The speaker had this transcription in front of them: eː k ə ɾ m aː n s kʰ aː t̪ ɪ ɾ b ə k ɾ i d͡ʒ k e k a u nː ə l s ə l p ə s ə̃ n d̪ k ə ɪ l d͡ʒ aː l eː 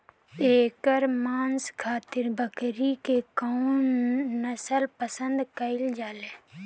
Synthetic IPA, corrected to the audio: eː k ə ɾ m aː n s kʰ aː t̪ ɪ ɾ b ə k ɾ i k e k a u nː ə s ə l p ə s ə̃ n d̪ k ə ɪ l d͡ʒ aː l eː